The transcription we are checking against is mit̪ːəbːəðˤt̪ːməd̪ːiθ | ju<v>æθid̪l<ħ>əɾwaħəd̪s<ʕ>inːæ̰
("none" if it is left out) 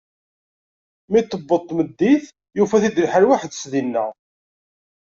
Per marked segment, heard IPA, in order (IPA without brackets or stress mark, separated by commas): f, ħ, ð